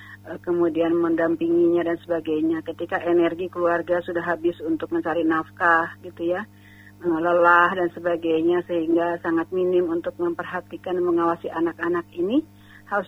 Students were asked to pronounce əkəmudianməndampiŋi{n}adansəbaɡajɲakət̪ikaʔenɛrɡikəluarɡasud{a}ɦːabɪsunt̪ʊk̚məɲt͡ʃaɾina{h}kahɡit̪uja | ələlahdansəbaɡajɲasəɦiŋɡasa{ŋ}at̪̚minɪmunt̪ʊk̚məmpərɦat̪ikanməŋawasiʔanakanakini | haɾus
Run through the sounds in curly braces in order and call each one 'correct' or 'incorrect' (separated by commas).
incorrect, correct, incorrect, correct